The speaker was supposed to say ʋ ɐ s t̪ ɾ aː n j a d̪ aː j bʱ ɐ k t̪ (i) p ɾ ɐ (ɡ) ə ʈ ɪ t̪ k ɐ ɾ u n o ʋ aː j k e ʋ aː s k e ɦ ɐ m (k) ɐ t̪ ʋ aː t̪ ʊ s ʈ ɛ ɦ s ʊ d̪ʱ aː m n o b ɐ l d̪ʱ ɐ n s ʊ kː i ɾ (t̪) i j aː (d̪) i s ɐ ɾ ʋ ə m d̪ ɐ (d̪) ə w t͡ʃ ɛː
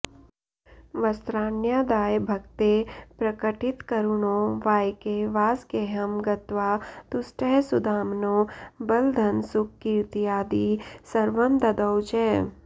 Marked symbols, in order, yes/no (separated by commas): no, no, no, yes, yes, yes